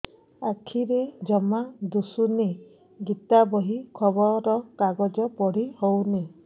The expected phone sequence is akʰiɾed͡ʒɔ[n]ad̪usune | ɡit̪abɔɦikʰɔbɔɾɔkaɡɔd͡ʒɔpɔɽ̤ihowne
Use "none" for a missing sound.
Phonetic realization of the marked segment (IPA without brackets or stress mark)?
m